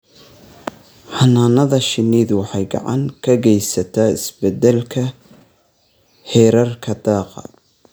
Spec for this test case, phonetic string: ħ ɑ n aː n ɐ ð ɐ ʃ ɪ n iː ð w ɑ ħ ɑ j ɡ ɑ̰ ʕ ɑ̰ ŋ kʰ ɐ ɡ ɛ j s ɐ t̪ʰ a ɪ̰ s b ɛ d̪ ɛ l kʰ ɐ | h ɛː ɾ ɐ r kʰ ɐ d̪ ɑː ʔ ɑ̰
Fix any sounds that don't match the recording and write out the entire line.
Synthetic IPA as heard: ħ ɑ n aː n ɐ ð ɐ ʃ ɪ n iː ð w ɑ ħ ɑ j ɡ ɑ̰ ʕ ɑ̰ ŋ kʰ ɐ ɡ ɛ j s ɐ t̪ʰ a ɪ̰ s b ɛ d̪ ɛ l kʰ ɐ | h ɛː ɾ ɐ r kʰ ɐ d̪ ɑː q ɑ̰